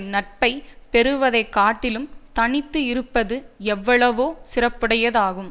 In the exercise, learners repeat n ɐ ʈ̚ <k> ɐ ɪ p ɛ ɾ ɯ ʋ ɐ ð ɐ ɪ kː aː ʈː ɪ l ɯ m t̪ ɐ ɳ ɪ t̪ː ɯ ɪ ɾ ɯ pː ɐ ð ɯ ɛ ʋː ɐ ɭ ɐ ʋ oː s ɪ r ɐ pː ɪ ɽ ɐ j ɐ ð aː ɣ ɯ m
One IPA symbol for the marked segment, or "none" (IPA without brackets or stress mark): p